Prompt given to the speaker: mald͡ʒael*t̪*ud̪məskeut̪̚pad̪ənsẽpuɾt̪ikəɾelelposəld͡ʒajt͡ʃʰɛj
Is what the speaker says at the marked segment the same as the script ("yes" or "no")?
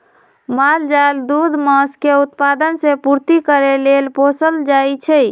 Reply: no